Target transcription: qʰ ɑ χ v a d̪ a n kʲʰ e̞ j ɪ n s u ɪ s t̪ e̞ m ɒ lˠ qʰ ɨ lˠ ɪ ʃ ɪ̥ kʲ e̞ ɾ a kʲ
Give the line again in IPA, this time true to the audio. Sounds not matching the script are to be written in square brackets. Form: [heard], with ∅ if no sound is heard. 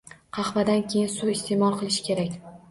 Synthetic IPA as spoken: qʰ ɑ χ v a d̪ a n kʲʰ e̞ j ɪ n s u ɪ s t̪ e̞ m ɒ lˠ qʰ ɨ lˠ ɪ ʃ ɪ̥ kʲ e̞ ɾ a kʲ